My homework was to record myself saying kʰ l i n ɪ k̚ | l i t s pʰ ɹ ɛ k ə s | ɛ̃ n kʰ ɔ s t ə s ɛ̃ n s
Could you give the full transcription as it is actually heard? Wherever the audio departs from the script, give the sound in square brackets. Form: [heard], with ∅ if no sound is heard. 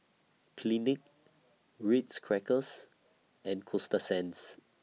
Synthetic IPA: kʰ l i n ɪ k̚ | [ɹ] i t s [kʰ] ɹ ɛ k ə s | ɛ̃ n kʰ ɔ s t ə s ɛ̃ n s